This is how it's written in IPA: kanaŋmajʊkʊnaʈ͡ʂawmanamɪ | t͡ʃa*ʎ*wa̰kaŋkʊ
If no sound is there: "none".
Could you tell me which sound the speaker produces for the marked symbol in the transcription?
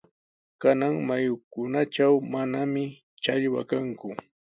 ʎ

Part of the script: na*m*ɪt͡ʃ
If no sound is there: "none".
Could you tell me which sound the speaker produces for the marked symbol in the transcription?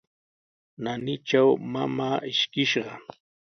n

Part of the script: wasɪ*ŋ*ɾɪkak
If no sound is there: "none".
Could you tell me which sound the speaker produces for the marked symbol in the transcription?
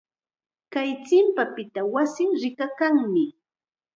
ŋ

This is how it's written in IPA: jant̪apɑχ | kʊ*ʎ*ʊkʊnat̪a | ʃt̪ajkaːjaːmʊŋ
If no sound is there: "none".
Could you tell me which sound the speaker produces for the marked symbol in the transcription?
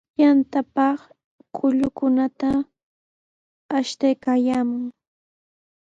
ʎ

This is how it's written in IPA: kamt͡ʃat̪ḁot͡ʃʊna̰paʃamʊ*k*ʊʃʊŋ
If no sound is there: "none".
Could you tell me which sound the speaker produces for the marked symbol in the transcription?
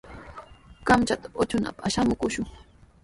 k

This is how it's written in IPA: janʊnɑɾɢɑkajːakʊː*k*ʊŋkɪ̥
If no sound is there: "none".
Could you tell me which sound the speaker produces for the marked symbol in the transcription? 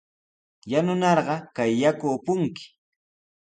p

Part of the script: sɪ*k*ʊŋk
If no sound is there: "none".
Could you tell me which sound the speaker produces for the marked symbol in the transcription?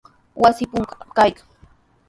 p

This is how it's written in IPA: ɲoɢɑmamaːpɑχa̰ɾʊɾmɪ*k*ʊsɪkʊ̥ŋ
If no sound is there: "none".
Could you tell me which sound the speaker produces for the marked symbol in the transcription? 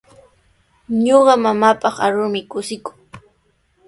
k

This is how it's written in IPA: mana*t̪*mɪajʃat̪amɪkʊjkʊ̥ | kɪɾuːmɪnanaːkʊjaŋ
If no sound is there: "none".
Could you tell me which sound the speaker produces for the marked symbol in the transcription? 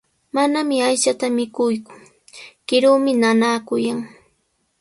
none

